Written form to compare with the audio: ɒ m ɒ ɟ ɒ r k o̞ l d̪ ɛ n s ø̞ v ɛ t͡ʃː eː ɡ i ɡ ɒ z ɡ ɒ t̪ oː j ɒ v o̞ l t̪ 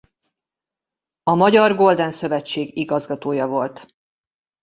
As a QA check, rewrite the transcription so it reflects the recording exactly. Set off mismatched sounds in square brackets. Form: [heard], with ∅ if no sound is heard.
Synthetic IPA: ɒ m ɒ ɟ ɒ r [ɡ] o̞ l d̪ ɛ n s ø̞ v ɛ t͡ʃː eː ɡ i ɡ ɒ z ɡ ɒ t̪ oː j ɒ v o̞ l t̪

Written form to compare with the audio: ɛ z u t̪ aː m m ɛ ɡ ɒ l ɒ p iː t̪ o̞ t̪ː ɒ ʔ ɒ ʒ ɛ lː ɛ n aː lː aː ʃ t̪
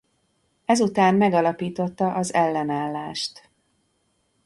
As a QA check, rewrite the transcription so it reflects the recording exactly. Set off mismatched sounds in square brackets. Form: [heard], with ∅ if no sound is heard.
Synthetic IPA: ɛ z u t̪ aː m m ɛ ɡ ɒ l ɒ p iː t̪ o̞ t̪ː ɒ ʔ ɒ [z] ɛ lː ɛ n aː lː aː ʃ t̪

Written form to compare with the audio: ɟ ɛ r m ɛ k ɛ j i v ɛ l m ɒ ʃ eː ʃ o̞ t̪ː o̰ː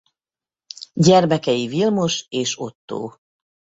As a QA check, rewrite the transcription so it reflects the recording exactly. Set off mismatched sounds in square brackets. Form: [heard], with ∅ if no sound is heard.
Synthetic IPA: ɟ ɛ r m ɛ k ɛ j i v [i] l m [o] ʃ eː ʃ o̞ t̪ː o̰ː

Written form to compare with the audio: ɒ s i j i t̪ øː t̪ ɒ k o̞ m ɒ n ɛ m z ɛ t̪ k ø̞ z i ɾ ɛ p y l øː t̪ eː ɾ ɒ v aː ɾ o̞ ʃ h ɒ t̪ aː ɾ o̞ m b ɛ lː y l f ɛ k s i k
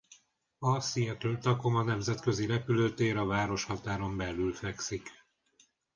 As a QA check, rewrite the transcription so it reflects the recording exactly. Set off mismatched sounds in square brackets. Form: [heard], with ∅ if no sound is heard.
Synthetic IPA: ɒ s i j [ɛ] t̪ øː t̪ ɒ k o̞ m ɒ n ɛ m z ɛ t̪ k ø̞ z i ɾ ɛ p y l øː t̪ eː ɾ ɒ v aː ɾ o̞ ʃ h ɒ t̪ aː ɾ o̞ m b ɛ lː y l f ɛ k s i k

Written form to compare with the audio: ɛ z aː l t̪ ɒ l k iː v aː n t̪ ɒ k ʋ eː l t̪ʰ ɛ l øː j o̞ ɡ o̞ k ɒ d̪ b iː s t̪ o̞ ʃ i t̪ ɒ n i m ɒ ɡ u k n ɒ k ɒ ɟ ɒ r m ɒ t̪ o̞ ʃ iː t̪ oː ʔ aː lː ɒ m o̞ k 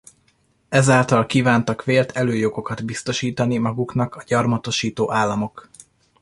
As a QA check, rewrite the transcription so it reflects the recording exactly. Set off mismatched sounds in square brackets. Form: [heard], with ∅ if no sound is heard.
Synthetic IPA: ɛ z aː l t̪ ɒ l k iː v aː n t̪ ɒ k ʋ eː l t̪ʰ ɛ l øː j o̞ ɡ o̞ k ɒ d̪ b [i] s t̪ o̞ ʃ [iː] t̪ ɒ n i m ɒ ɡ u k n ɒ k ɒ ɟ ɒ r m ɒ t̪ o̞ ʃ iː t̪ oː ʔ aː lː ɒ m o̞ k

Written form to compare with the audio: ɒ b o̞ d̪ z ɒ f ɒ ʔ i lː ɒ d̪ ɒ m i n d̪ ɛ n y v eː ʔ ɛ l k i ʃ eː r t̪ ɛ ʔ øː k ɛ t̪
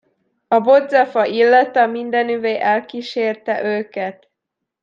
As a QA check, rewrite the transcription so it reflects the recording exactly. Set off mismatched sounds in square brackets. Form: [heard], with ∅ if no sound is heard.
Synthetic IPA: ɒ b o̞ d̪ z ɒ f ɒ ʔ i lː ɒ [t̪] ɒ m i n d̪ ɛ n y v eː ʔ ɛ l k i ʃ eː r t̪ ɛ ʔ øː k ɛ t̪

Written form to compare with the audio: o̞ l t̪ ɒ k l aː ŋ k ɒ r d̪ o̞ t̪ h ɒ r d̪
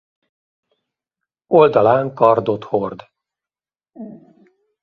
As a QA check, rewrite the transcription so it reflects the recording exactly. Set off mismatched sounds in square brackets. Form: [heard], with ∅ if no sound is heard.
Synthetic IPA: o̞ l [d̪] ɒ [∅] l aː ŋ k ɒ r d̪ o̞ t̪ h [o] r d̪

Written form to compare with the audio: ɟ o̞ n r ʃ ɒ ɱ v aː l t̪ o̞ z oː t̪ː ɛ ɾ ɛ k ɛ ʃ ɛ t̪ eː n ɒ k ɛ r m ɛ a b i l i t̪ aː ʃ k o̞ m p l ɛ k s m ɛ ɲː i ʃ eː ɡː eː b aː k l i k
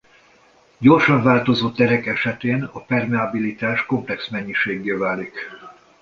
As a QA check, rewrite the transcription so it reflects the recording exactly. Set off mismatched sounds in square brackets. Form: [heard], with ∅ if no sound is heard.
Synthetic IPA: ɟ o̞ [∅] r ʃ ɒ ɱ v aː l t̪ o̞ z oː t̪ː ɛ ɾ ɛ k ɛ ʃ ɛ t̪ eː n ɒ [p] ɛ r m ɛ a b i l i t̪ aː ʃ k o̞ m p l ɛ k s m ɛ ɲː i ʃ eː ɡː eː [v] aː [∅] l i k

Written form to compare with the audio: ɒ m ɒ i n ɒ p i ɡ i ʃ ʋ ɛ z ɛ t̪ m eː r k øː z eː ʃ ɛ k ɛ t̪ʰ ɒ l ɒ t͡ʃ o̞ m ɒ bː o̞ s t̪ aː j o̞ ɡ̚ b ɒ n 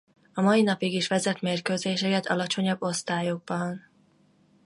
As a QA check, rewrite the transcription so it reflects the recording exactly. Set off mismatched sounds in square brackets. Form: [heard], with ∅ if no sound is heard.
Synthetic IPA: ɒ m ɒ i n ɒ p i ɡ i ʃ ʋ ɛ z ɛ t̪ m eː r k øː z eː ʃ ɛ k ɛ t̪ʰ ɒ l ɒ t͡ʃ o̞ [ɲ] ɒ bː o̞ s t̪ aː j o̞ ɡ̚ b ɒ n

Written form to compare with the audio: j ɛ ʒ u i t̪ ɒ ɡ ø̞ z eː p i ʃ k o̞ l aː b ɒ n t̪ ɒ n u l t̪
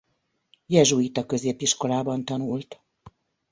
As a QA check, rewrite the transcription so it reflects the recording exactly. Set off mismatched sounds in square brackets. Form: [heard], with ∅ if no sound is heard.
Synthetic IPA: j ɛ ʒ u i t̪ ɒ [k] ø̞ z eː p i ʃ k o̞ l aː b ɒ n t̪ ɒ n u l t̪

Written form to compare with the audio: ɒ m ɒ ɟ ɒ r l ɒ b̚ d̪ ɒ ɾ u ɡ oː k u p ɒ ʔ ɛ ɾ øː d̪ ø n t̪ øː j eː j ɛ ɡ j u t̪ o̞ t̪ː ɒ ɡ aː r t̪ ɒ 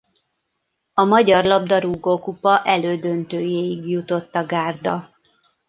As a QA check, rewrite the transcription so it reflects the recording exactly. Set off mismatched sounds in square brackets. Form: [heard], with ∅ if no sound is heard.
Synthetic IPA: ɒ m ɒ ɟ ɒ r l ɒ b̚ d̪ ɒ ɾ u ɡ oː k u p ɒ ʔ ɛ [l] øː d̪ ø n t̪ øː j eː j [i] ɡ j u t̪ o̞ t̪ː ɒ ɡ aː r [d̪] ɒ

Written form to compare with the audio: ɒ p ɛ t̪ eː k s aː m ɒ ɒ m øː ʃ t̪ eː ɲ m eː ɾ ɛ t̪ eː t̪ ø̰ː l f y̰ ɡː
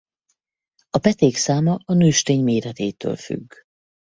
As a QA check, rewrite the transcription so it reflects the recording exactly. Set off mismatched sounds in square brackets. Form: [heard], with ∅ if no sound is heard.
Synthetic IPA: ɒ p ɛ t̪ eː k s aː m ɒ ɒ [n] øː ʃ t̪ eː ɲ m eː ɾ ɛ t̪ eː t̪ ø̰ː l f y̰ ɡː

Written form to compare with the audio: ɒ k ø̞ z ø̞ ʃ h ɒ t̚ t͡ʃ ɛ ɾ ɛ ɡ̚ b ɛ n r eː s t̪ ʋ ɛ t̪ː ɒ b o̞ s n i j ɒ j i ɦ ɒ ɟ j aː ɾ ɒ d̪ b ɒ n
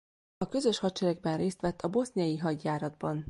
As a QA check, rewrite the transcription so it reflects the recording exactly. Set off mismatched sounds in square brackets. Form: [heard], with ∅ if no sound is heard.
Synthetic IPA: ɒ k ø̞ z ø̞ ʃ h ɒ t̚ t͡ʃ ɛ ɾ ɛ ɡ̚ b ɛ n r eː s t̪ ʋ ɛ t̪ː ɒ b o̞ s n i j ɒ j i ɦ ɒ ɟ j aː ɾ ɒ d̪ b ɒ n

